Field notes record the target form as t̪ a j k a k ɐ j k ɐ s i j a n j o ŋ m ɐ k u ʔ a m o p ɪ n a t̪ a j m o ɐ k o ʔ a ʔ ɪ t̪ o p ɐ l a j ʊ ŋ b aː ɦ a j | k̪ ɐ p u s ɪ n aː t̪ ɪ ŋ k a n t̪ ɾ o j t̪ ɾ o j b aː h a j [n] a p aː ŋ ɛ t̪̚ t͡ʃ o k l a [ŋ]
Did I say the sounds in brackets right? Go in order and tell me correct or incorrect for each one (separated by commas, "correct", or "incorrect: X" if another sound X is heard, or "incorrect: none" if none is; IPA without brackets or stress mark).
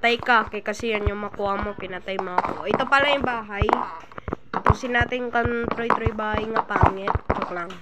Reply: incorrect: ŋ, correct